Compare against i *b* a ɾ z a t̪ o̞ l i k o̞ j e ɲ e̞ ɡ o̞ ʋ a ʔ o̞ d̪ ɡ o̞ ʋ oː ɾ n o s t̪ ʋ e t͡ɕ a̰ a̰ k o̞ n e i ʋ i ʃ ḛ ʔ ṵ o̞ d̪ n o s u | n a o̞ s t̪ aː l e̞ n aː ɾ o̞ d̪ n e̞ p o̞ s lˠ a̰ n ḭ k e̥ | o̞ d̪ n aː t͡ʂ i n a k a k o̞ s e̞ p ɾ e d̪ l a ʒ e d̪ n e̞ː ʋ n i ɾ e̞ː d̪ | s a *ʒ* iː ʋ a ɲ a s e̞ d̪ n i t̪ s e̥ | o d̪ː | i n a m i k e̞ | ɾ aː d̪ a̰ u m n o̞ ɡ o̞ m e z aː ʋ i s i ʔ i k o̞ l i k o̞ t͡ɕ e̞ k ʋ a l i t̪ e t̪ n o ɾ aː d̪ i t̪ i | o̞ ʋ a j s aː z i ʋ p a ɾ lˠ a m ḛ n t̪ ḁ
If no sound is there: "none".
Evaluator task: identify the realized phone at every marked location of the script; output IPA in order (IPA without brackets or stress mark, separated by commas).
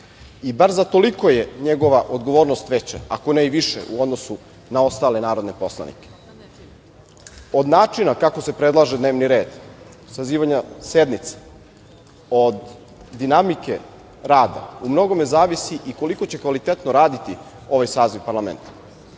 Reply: b, z